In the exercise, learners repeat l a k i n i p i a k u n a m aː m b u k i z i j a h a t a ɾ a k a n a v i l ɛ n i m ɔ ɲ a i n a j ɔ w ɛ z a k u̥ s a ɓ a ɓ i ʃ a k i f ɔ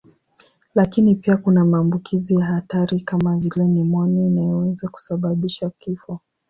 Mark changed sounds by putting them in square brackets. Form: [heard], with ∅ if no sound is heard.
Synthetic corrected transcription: l a k i n i p i a k u n a m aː m b u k i z i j a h a t a ɾ [i] k a [m] a v i l ɛ n i m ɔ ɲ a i n a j ɔ w ɛ z a k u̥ s a ɓ a ɓ i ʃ a k i f ɔ